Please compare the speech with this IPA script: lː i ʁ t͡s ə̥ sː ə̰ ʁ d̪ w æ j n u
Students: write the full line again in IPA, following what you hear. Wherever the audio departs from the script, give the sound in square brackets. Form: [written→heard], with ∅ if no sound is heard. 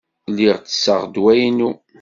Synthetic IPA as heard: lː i ʁ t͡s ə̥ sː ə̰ ʁ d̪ w æ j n u